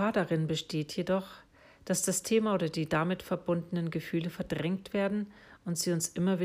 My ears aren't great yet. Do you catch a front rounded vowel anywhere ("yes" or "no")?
yes